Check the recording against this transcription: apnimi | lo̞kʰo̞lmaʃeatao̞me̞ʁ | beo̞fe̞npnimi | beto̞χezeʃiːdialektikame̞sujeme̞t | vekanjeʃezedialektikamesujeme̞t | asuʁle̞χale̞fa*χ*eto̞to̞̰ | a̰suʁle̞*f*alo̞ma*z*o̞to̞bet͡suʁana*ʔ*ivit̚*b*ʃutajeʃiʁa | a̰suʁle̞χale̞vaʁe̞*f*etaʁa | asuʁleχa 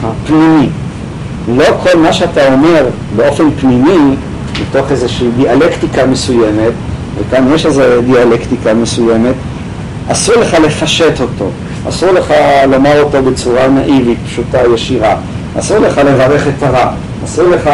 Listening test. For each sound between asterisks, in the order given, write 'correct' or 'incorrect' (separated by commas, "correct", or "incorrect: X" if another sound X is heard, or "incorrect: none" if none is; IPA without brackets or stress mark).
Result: incorrect: ʃ, incorrect: χ, incorrect: ʁ, correct, incorrect: p, incorrect: χ